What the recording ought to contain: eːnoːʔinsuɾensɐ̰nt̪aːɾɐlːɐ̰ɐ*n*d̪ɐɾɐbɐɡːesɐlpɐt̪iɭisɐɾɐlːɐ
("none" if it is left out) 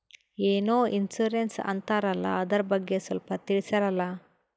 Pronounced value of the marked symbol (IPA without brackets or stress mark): none